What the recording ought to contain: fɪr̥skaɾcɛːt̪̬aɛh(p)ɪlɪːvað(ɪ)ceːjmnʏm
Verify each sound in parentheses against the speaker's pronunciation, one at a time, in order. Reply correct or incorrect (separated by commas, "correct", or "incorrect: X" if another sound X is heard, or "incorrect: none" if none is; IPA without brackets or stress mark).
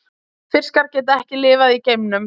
incorrect: c, incorrect: i